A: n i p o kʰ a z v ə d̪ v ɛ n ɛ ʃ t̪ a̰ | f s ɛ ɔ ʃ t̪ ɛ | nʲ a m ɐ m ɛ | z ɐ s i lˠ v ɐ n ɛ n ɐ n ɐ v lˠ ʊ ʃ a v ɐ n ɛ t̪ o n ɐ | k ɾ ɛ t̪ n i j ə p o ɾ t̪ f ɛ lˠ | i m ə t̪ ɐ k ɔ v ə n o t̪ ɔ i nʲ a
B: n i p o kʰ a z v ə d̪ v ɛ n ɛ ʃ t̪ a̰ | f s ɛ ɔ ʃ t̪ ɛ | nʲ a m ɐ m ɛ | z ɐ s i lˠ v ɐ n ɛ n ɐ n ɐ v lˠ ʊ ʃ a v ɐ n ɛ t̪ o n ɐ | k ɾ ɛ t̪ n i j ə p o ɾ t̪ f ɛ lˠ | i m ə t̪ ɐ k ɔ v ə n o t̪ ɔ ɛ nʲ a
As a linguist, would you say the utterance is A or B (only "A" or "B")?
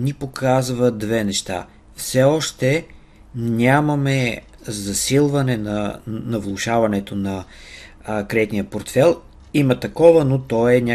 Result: B